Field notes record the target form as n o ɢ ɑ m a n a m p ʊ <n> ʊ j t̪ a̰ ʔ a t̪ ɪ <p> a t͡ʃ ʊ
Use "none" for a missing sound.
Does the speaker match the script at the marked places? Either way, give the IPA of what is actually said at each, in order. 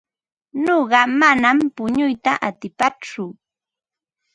ɲ, p

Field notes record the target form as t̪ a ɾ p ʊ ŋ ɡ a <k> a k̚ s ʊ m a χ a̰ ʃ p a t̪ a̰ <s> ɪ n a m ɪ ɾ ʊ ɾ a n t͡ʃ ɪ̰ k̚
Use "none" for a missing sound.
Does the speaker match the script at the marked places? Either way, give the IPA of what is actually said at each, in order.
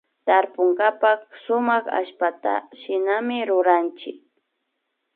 p, ʃ

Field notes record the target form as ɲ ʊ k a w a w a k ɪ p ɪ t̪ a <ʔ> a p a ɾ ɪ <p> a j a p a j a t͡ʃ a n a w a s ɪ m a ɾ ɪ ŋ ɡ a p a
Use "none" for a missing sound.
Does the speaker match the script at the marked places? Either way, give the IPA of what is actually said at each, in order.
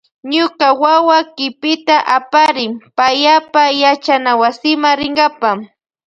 ʔ, p

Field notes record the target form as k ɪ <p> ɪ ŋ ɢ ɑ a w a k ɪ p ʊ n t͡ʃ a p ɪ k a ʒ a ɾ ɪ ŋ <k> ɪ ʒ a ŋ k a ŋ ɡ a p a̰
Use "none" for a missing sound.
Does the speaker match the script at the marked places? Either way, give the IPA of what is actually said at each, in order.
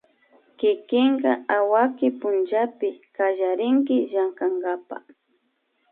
k, k

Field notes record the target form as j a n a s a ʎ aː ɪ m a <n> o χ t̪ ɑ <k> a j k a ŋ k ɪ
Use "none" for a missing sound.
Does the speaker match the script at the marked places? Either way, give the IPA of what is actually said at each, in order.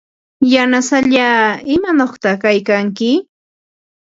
n, k

